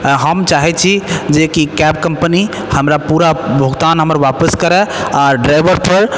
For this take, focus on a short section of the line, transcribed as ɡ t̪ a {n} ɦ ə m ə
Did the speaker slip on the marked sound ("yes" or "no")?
no